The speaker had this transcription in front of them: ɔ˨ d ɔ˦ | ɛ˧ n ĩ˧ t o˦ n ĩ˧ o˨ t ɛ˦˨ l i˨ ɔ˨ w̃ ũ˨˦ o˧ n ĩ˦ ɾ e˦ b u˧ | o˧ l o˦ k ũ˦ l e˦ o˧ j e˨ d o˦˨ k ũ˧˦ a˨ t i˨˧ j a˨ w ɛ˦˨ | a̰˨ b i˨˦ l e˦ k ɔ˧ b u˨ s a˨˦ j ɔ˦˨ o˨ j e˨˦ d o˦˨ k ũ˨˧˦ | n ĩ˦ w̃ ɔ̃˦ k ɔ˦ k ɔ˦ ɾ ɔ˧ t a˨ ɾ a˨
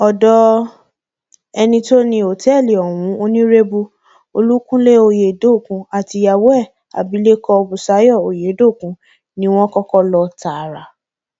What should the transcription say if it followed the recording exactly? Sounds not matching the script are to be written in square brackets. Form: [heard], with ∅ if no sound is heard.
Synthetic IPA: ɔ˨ d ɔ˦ | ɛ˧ n ĩ˧ t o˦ n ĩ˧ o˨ t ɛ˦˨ l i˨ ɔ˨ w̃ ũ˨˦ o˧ n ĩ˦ ɾ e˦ b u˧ | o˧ l [u˦] k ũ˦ l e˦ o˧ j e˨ d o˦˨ k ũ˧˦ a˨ t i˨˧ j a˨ w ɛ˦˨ | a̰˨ b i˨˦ l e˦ k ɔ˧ b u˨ s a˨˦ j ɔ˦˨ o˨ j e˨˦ d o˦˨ k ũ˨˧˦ | n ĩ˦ w̃ ɔ̃˦ k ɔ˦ k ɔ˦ [l] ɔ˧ t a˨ ɾ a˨

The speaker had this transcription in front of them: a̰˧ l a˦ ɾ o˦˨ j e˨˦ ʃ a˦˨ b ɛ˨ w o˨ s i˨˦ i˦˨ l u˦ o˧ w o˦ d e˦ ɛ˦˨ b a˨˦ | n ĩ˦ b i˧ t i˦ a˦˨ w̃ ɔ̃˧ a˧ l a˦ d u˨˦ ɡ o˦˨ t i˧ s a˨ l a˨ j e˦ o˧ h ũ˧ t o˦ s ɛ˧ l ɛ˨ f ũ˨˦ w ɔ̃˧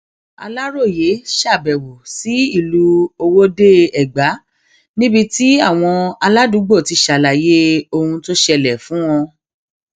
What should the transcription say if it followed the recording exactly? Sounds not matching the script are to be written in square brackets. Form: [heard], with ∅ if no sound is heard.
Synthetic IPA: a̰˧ l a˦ ɾ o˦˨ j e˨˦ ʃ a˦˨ b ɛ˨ w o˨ s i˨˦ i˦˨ l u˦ o˧ w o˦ d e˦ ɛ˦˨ [ɡ͡b] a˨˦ | n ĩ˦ b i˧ t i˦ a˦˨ w̃ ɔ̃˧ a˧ l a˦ d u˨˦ [ɡ͡b] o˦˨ t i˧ [ʃ] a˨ l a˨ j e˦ o˧ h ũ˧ t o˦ [ʃ] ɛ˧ l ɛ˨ f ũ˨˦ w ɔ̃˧

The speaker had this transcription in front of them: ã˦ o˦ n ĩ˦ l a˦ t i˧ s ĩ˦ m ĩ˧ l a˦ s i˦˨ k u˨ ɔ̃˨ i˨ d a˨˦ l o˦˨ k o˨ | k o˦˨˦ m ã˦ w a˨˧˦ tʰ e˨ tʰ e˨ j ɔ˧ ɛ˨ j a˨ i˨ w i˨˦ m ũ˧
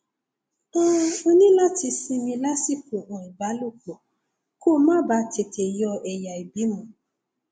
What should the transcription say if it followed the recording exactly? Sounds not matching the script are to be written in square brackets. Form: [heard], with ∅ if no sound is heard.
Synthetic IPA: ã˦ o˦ n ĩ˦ l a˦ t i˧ s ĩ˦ m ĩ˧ l a˦ s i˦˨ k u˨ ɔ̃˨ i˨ [b] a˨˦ l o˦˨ k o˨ | k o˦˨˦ m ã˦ [b] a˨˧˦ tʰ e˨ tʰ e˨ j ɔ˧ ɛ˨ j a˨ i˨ [b] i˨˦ m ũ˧

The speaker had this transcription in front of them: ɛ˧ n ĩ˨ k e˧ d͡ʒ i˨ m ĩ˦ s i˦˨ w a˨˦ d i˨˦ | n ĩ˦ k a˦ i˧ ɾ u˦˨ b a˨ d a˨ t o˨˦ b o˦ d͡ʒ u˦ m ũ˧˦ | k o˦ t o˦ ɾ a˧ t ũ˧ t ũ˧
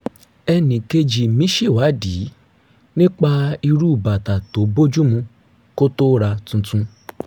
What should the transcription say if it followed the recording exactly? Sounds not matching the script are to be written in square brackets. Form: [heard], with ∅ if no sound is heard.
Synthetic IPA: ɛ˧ n ĩ˨ k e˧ d͡ʒ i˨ m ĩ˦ [ʃ] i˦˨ w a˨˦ d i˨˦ | n ĩ˦ [k͡p] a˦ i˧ ɾ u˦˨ b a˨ [t] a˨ t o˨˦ b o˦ d͡ʒ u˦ m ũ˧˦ | k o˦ t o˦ ɾ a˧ t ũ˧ t ũ˧

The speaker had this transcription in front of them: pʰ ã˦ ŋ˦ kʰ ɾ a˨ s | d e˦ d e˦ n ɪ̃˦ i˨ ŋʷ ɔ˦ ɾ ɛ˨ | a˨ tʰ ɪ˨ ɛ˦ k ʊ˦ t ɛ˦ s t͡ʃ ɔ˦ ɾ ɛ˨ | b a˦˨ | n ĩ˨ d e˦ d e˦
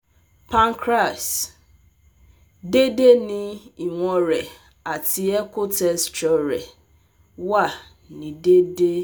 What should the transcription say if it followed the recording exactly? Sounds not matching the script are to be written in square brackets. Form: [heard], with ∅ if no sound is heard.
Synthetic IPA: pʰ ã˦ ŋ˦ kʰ ɾ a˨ s | d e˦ d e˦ n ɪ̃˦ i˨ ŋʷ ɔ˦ ɾ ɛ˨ | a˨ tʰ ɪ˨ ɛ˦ k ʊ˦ t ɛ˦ s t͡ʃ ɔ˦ ɾ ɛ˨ | [w] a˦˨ | n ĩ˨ d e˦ d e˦

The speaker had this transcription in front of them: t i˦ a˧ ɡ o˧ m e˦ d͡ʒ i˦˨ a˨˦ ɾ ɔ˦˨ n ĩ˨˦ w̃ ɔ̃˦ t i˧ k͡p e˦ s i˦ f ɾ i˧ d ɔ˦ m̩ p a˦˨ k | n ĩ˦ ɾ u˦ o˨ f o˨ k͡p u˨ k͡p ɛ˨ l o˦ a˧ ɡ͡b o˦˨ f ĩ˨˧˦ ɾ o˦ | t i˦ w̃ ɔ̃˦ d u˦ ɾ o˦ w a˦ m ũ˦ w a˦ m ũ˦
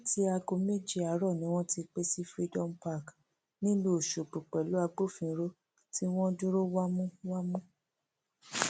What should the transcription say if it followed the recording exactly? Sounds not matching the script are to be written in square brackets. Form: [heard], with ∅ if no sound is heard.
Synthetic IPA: t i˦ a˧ ɡ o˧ m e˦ d͡ʒ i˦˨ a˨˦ ɾ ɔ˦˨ n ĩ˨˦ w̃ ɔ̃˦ t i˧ k͡p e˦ s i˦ f ɾ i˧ d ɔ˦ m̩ p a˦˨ k | n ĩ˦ [l] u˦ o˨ [ʃ] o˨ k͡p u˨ k͡p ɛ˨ l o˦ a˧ ɡ͡b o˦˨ f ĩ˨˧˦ ɾ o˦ | t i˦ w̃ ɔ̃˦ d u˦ ɾ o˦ w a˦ m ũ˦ w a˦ m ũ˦

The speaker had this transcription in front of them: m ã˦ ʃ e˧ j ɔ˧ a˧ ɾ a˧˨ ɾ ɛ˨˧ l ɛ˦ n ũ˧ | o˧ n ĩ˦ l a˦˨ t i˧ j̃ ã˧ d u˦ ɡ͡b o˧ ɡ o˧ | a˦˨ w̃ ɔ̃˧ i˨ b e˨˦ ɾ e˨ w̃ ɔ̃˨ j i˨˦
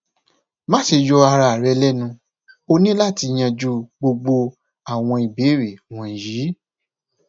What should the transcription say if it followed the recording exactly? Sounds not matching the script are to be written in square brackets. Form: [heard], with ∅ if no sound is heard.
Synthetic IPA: m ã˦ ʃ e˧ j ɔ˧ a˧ ɾ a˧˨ ɾ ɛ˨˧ l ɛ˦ n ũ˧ | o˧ n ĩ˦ l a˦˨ t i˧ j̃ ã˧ [d͡ʒ] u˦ ɡ͡b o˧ [ɡ͡b] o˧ | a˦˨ w̃ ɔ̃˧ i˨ b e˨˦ ɾ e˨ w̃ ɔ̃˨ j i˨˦

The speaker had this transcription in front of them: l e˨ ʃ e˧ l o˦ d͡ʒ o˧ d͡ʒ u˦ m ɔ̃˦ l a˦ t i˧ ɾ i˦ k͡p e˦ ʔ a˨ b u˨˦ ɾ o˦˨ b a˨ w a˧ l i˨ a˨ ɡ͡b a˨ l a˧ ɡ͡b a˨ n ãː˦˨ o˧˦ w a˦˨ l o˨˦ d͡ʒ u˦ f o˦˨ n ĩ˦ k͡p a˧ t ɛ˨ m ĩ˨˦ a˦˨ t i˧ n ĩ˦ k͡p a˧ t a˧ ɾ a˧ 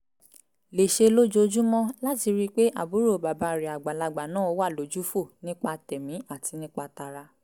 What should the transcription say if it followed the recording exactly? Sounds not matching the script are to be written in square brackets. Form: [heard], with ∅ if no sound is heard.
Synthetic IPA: l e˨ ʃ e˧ l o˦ d͡ʒ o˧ d͡ʒ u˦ m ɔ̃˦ l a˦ t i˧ ɾ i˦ k͡p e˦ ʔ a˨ b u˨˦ ɾ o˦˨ b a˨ [b] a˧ [ɾ] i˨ a˨ ɡ͡b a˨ l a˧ ɡ͡b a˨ n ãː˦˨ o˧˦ w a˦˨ l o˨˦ d͡ʒ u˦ f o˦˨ n ĩ˦ k͡p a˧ t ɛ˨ m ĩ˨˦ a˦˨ t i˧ n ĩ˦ k͡p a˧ t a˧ ɾ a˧

